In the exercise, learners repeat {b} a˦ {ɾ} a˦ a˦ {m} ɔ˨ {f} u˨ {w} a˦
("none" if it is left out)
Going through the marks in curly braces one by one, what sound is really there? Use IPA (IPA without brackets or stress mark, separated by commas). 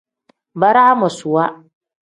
b, ɾ, m, s, w